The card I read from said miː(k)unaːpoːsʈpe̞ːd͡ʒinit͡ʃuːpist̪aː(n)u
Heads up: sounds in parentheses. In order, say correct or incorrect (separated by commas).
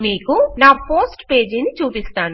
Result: correct, correct